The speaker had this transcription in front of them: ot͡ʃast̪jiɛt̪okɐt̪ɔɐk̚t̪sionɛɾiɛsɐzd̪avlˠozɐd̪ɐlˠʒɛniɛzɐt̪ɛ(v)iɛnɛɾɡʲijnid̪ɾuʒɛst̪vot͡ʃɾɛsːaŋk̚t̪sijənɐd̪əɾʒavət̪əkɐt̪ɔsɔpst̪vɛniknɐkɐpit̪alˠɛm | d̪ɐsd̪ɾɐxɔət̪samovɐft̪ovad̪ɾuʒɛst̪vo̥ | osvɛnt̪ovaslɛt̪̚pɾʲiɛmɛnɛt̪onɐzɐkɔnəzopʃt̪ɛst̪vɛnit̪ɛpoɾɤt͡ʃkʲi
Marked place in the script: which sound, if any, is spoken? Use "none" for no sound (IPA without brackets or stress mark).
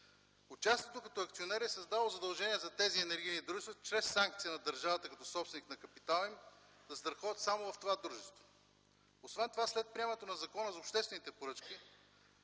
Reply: z